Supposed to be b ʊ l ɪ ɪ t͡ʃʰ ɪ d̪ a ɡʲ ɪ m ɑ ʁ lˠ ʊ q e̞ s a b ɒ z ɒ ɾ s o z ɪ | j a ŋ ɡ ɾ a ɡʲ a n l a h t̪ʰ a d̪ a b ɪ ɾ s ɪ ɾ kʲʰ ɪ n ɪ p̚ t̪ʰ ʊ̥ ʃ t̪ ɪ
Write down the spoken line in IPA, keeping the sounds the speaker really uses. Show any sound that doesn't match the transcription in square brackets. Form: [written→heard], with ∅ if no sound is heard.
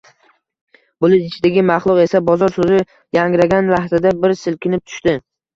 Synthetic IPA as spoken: b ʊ l ɪ ɪ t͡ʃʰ ɪ d̪ a ɡʲ ɪ m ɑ [ʁ→χ] lˠ ʊ q e̞ s a b ɒ z ɒ ɾ s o z ɪ | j a ŋ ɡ ɾ a ɡʲ a n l a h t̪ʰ a d̪ a b ɪ ɾ s ɪ [ɾ→l] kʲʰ ɪ n ɪ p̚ t̪ʰ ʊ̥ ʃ t̪ ɪ